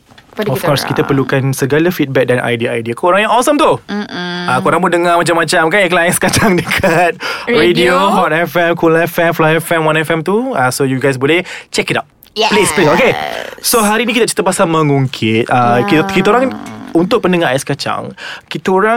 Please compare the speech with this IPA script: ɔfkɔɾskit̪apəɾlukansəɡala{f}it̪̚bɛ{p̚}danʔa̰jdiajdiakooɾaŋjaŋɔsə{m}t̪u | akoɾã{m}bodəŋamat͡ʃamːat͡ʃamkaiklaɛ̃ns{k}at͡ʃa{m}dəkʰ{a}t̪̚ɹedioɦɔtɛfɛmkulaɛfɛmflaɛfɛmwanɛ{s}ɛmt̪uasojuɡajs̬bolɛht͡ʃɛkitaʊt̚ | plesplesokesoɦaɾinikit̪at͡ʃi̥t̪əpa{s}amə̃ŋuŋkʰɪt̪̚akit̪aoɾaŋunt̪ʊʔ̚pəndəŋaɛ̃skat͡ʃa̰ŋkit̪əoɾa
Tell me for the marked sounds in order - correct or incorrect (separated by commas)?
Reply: correct, incorrect, correct, incorrect, correct, incorrect, correct, incorrect, correct